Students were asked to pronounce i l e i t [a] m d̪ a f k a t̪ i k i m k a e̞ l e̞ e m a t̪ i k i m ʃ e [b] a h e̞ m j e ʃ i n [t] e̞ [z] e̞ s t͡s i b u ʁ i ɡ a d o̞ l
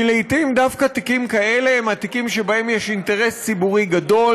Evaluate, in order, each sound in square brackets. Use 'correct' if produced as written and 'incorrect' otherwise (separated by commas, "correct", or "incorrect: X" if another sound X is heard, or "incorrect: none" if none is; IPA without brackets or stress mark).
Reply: incorrect: i, correct, correct, incorrect: ʁ